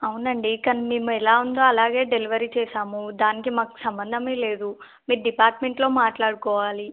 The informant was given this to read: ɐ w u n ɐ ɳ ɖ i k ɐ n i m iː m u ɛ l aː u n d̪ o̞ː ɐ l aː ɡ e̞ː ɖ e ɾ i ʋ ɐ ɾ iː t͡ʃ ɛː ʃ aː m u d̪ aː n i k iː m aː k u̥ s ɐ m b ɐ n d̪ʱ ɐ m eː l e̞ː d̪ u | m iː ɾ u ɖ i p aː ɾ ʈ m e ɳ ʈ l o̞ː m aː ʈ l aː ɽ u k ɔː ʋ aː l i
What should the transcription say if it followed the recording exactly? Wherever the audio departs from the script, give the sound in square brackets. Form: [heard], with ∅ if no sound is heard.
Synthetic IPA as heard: ɐ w u n ɐ ɳ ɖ i k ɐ n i m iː m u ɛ l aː u n d̪ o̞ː ɐ l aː ɡ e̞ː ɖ e [l] i ʋ ɐ ɾ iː t͡ʃ ɛː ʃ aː m u d̪ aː n i k [i] m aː k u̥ s ɐ m b ɐ n d̪ʱ ɐ m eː l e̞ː d̪ u | m iː ɾ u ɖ i p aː ɾ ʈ m e ɳ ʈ l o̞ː m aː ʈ l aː ɽ u k ɔː ʋ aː l i